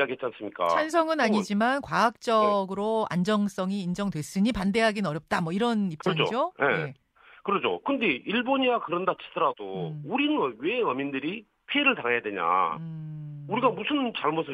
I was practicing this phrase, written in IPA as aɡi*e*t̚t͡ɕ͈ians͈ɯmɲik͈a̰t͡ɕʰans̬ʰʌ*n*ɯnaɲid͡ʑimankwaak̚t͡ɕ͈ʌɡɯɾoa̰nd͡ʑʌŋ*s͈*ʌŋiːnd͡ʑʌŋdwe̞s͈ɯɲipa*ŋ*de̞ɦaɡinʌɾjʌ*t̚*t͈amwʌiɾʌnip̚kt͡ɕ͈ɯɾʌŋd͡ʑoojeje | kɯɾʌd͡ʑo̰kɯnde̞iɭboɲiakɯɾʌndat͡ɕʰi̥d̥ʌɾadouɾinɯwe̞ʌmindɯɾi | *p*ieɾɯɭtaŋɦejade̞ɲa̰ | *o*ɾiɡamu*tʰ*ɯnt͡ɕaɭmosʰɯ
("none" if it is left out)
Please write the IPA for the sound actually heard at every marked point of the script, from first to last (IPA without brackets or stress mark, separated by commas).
e, ŋ, s͈, n, p̚, pʰ, u, sʰ